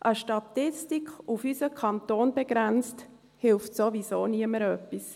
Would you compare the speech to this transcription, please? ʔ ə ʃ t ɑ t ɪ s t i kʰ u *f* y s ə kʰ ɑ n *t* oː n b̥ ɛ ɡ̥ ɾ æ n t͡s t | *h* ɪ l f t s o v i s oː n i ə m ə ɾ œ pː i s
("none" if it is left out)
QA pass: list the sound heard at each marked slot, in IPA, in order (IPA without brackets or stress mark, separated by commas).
f, t, h